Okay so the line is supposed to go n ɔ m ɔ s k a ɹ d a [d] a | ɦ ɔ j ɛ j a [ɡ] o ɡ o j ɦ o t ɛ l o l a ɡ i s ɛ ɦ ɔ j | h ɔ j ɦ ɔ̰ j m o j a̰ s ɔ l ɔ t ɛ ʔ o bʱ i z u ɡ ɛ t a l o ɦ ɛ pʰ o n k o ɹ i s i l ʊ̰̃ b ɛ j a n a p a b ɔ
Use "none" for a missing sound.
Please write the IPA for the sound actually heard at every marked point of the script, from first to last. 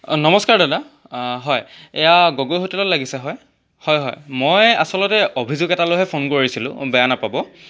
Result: d, ɡ

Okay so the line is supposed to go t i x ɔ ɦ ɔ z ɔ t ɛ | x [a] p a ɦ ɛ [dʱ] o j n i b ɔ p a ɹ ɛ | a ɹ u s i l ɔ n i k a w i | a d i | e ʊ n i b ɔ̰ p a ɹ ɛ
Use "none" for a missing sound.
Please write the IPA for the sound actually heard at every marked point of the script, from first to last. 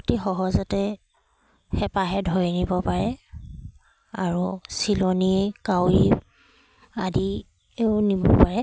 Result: ɛ, dʱ

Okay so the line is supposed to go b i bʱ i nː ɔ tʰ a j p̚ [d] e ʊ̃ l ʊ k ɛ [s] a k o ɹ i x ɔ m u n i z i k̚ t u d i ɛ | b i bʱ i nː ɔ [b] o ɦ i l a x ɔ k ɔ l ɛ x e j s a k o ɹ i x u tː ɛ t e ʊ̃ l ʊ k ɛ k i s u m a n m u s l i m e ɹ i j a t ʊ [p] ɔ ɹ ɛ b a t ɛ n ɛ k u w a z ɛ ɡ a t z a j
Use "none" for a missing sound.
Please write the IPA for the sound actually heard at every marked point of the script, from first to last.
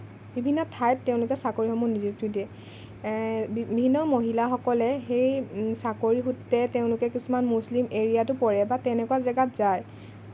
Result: t, s, m, p

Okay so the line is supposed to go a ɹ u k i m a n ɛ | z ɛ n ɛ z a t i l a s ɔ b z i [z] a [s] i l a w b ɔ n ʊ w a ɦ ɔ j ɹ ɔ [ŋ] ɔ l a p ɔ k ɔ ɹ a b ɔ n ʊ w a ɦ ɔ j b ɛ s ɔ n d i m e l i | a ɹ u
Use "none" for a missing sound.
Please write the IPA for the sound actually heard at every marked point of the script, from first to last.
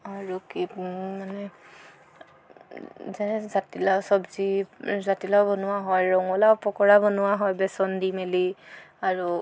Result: z, t, ŋ

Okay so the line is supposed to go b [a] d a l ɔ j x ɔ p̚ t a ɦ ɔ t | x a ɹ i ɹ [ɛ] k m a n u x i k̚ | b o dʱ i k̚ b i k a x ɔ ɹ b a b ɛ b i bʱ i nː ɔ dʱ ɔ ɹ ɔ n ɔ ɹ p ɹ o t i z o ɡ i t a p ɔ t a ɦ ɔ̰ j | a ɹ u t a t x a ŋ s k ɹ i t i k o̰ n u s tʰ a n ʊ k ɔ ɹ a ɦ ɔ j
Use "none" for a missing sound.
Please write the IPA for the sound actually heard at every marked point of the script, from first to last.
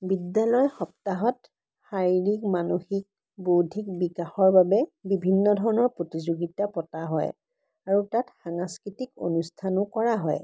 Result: i, i

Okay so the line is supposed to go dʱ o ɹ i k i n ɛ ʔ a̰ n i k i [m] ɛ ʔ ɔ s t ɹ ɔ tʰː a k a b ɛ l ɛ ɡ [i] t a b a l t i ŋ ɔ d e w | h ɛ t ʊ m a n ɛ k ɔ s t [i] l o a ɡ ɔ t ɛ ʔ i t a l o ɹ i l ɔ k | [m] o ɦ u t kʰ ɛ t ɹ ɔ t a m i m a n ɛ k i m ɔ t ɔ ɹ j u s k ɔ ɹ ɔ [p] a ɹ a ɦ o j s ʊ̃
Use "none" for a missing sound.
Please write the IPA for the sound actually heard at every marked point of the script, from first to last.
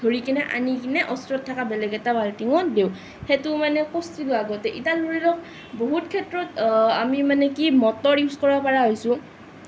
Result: n, ɛ, i, b, p

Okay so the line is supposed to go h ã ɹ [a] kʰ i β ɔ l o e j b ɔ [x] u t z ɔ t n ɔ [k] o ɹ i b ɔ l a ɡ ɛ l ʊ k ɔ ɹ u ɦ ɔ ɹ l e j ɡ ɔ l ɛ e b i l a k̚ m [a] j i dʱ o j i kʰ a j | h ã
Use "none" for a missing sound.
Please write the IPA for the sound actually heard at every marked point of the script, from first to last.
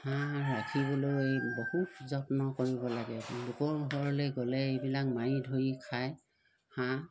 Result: a, h, k, a

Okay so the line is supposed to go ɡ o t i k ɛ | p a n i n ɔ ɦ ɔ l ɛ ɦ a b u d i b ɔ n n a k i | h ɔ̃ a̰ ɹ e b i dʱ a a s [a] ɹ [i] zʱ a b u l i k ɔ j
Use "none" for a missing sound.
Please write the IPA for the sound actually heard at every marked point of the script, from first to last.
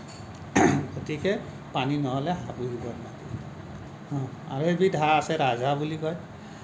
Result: ɛ, a

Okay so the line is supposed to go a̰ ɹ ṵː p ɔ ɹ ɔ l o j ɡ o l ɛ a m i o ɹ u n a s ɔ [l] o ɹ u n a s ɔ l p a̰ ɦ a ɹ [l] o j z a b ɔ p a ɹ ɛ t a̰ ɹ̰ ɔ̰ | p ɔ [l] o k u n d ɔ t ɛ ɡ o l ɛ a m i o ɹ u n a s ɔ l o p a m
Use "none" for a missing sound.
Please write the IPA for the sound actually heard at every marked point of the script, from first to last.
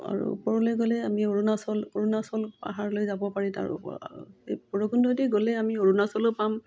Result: l, l, ɹ

